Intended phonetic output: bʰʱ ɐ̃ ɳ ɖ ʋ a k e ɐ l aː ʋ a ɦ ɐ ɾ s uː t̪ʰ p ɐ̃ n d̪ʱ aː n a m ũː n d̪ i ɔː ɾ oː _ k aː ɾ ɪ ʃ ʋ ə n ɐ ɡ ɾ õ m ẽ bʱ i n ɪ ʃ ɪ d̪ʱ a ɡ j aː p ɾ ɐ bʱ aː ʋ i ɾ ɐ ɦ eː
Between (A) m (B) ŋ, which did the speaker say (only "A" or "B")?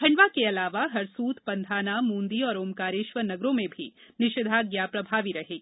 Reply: A